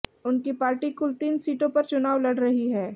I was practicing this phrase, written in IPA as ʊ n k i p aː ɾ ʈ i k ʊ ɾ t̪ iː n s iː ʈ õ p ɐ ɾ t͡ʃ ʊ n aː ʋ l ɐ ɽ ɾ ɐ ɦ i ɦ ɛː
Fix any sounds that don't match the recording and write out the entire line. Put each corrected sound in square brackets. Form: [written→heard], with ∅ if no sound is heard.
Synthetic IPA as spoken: ʊ n k i p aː ɾ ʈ i k ʊ [ɾ→l] t̪ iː n s iː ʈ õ p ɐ ɾ t͡ʃ ʊ n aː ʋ l ɐ ɽ ɾ ɐ ɦ i ɦ ɛː